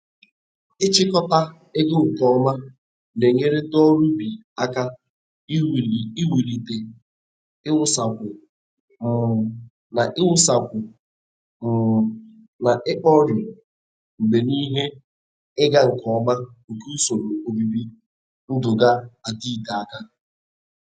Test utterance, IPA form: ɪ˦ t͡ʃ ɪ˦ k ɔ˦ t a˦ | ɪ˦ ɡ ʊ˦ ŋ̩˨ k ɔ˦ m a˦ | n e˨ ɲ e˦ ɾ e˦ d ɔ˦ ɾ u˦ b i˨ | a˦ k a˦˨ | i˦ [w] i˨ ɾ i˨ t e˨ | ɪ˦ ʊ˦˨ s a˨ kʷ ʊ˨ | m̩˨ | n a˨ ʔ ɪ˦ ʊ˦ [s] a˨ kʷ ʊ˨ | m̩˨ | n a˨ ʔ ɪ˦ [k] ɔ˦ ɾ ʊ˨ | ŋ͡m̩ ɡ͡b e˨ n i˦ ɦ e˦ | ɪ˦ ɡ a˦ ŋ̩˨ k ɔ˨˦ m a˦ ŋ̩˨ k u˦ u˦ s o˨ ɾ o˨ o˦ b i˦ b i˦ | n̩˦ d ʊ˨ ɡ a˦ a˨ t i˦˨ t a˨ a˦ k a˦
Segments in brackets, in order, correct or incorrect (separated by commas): correct, correct, incorrect